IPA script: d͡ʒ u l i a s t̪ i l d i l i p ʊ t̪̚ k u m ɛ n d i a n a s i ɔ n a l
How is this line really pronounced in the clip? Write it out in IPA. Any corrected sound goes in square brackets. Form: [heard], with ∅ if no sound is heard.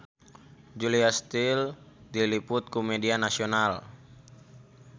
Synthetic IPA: d͡ʒ u l i a s t̪ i l d i l i p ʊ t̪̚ k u m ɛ [∅] d i a n a s i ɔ n a l